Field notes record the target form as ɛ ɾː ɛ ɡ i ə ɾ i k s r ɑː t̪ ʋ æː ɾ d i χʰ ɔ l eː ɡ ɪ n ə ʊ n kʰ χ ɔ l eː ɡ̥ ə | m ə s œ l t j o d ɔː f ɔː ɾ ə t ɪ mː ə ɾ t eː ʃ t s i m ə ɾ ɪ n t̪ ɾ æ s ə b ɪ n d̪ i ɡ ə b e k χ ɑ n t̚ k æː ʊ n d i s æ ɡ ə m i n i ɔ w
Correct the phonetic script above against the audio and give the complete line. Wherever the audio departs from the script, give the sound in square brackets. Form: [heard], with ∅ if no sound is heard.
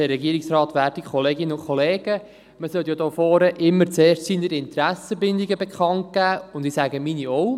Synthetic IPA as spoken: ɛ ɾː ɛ ɡ i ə ɾ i k s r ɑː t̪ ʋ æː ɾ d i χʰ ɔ l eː ɡ ɪ n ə ʊ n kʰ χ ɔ l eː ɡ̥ ə | m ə s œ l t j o d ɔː f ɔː ɾ ə [ʔ] ɪ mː ə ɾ [t͡s] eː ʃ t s i [n] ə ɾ ɪ n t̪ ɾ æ s ə b ɪ n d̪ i ɡ ə b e k χ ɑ n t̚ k æː ʊ n d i s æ ɡ ə m i n i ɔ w